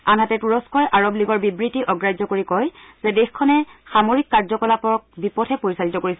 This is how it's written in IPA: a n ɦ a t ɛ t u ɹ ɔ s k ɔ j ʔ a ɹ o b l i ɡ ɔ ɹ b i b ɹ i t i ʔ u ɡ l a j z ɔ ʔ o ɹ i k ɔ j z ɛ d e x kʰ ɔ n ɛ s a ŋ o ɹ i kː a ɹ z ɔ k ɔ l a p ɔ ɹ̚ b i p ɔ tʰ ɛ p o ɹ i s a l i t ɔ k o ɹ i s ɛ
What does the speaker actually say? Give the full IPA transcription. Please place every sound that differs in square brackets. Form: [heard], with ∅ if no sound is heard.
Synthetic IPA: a n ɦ a t ɛ t u ɹ ɔ s k ɔ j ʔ a ɹ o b l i ɡ ɔ ɹ b i b ɹ i t i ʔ [ɔ] ɡ [ɹ] a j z ɔ [k] o ɹ i k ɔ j z ɛ d e x kʰ ɔ n ɛ [x] a [m] o ɹ i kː a ɹ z ɔ k ɔ l a p ɔ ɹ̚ b i p ɔ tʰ ɛ p o ɹ i s a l i t ɔ k o ɹ i s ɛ